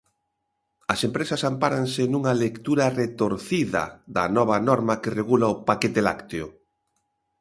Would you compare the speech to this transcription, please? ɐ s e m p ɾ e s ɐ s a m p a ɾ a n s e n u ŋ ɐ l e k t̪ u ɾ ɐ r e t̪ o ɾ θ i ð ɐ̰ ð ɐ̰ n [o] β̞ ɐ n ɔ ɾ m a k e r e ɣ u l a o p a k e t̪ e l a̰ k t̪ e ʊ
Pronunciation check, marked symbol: incorrect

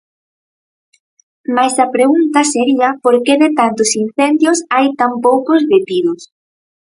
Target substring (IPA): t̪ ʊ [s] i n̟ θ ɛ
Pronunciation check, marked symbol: correct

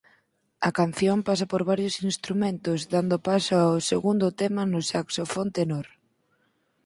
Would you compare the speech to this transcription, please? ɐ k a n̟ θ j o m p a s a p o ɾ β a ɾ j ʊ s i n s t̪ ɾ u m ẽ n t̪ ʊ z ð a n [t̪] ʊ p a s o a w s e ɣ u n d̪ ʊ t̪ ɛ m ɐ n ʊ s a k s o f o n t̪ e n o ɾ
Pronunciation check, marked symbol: incorrect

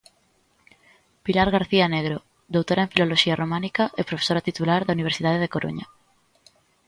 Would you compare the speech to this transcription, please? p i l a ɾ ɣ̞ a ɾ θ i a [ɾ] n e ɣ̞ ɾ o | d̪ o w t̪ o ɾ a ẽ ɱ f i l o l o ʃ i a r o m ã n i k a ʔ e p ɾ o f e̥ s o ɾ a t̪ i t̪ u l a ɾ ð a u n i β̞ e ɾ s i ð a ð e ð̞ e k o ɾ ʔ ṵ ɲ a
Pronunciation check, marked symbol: incorrect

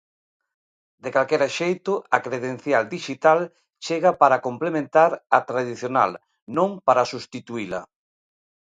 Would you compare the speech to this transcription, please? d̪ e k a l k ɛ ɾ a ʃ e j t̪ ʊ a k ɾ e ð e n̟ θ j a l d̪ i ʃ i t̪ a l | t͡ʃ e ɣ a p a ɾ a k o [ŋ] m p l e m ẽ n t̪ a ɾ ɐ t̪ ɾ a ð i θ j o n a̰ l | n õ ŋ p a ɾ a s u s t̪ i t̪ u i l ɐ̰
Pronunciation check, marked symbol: incorrect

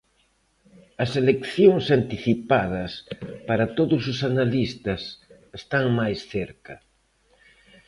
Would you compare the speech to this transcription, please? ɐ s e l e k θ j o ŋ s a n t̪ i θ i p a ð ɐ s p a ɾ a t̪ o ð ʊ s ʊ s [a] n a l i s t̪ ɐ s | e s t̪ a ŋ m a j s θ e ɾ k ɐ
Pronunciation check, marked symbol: correct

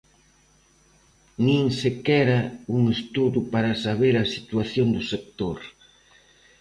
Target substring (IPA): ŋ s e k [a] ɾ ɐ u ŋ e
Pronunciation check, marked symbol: incorrect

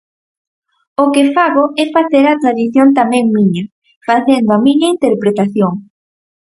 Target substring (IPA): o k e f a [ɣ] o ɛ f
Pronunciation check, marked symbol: correct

